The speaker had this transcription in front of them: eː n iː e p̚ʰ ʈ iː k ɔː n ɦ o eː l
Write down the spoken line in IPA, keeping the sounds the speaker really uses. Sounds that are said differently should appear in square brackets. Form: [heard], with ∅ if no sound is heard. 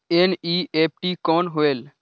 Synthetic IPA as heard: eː n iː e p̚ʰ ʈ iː k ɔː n ɦ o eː l